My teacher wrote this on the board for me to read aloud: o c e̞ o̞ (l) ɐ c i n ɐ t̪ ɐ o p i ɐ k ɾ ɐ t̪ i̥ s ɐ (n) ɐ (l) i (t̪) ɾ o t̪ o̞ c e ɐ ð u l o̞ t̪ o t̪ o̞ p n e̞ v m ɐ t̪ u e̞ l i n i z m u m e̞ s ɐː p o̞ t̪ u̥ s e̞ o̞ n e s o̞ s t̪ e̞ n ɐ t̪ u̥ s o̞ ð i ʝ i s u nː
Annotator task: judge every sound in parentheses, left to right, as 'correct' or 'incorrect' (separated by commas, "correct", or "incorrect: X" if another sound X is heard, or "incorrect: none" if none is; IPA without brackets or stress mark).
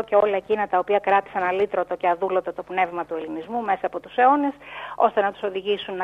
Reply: correct, correct, correct, correct